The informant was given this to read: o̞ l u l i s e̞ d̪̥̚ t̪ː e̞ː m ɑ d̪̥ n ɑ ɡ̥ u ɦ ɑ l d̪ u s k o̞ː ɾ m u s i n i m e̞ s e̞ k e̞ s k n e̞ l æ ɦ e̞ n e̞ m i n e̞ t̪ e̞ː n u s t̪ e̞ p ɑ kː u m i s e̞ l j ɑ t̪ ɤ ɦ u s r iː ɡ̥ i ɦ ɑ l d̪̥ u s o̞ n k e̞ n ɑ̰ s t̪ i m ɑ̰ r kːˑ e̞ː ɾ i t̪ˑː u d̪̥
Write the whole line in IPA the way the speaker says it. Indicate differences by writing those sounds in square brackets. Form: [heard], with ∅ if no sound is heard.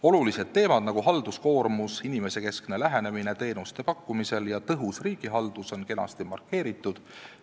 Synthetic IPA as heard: o̞ l u l i s e̞ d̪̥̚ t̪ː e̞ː m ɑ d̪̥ n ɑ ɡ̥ u ɦ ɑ l d̪ u s k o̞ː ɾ m u s i n i m e̞ s e̞ k e̞ s k n e̞ l æ ɦ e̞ n e̞ m i n e̞ t̪ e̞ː n u s t̪ e̞ p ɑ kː u m i s e̞ l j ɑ t̪ ɤ ɦ u s r iː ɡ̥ i ɦ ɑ l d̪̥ u s o̞ n k e̞ n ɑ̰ s t̪ i m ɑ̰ r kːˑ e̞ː ɾ i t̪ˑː u d̪̥

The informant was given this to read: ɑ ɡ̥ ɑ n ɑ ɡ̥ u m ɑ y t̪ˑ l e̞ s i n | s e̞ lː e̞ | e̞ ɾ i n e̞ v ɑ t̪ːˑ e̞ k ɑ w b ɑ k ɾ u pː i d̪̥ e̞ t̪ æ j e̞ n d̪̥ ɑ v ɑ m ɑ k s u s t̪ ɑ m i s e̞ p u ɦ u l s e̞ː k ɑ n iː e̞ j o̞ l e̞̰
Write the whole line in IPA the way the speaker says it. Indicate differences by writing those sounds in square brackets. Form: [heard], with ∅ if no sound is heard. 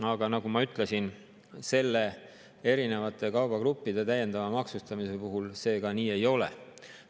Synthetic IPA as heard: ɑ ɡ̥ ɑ n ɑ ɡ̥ u m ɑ y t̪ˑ l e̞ s i n | s e̞ lː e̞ | e̞ ɾ i n e̞ v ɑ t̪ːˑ e̞ k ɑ w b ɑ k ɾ u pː i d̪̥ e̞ t̪ æ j e̞ n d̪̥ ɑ v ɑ m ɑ k s u s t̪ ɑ m i s e̞ p u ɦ u l s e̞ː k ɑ n iː e̞ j o̞ l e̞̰

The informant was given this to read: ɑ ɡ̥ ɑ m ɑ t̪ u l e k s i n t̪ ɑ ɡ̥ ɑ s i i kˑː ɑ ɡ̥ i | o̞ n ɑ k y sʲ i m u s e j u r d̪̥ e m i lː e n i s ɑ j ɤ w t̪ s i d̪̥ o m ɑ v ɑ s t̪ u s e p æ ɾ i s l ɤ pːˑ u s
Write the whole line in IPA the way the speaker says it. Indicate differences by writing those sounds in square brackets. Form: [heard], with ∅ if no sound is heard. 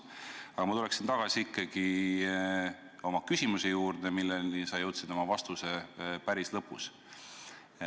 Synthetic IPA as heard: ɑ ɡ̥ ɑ m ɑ t̪ u l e k s i n t̪ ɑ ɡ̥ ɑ s i i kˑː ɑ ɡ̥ i | o̞ [m] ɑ k y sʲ i m u s e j [uː] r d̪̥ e m i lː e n i s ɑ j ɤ w t̪ s i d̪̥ o m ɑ v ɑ s t̪ u s e p æ ɾ i s l ɤ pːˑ u s

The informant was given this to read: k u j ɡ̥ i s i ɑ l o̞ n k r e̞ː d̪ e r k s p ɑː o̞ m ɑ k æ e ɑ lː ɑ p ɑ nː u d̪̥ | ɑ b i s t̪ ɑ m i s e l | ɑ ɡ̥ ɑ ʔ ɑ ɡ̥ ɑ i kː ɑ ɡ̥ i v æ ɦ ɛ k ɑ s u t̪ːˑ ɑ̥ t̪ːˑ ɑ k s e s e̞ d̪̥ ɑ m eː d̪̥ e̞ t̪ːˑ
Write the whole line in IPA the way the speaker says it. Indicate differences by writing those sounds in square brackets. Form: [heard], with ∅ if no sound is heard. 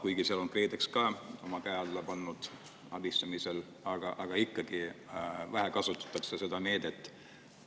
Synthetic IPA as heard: k u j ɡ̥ i s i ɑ l o̞ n k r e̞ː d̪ e [∅] k s [k] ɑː o̞ m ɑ k æ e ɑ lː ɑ p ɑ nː u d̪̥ | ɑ b i s t̪ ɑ m i s e l | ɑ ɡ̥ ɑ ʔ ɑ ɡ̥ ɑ i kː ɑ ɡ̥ i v æ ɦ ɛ k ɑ s u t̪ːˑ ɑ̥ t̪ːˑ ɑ k s e s e̞ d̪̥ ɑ [n] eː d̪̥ e̞ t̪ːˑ

